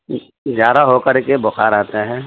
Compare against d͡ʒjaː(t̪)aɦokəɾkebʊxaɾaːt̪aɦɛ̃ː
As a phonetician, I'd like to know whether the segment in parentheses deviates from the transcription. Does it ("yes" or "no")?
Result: yes